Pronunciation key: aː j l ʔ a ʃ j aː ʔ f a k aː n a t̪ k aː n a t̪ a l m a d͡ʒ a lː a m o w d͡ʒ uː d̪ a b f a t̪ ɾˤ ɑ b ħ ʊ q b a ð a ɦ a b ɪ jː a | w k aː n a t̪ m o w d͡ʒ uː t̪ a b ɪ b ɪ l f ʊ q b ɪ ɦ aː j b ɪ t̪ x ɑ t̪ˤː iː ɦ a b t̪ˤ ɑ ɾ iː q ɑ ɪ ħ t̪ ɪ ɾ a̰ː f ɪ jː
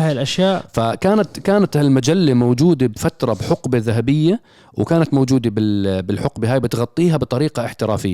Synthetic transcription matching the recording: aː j l ʔ a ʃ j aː ʔ f a k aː n a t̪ k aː n a t̪ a l m a d͡ʒ a lː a m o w d͡ʒ uː d̪ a b f a t̪ ɾˤ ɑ b ħ ʊ q b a ð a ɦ a b ɪ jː a | w k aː n a t̪ m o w d͡ʒ uː d̪ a b ɪ b ɪ l ħ ʊ q b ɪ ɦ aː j b ɪ t̪ ɣ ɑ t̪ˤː iː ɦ a b t̪ˤ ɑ ɾ iː q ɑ ɪ ħ t̪ ɪ ɾ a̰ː f ɪ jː